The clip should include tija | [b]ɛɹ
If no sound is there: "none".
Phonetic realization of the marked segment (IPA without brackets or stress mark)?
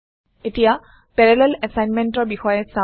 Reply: p